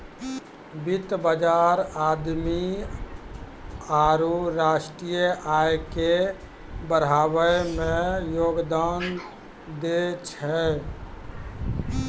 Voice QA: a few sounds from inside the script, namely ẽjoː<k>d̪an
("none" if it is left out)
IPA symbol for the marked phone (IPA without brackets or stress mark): ɡ